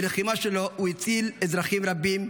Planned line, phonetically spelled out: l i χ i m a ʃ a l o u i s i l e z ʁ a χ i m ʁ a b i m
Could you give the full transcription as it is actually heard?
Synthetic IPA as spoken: l e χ i m a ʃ e l o u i t͡s i l e z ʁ a χ i m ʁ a b i m